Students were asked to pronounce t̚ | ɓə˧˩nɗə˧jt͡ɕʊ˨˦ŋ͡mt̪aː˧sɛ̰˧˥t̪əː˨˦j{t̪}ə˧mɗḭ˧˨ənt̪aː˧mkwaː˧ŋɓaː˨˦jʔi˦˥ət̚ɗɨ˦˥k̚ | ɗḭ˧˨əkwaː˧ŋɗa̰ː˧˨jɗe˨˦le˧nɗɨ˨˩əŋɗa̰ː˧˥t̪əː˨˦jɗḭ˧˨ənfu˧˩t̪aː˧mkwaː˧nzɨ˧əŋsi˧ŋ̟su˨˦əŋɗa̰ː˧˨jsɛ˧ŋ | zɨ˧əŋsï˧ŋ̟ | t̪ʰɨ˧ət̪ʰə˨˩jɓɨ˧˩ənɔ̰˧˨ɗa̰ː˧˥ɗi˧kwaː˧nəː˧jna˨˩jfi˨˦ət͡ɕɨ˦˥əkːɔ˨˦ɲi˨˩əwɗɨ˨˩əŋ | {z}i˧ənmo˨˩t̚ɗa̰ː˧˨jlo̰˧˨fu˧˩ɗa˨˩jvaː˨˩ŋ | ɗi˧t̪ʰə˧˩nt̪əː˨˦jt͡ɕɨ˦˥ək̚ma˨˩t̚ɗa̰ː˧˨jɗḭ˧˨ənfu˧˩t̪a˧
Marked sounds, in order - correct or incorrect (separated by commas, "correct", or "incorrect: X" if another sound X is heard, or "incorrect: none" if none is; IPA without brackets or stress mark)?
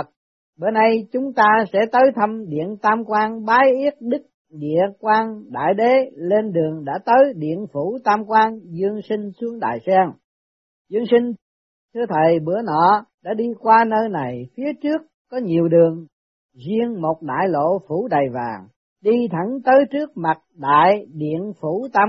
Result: incorrect: t̪ʰ, correct